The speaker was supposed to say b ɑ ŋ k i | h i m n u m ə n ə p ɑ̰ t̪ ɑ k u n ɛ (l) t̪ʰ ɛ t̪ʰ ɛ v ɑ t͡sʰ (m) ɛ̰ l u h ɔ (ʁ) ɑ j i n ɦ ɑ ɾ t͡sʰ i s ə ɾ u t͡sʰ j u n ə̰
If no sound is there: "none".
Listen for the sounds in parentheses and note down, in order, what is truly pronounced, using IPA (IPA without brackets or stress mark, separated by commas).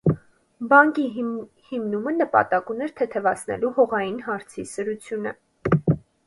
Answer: ɾ, n, ʁ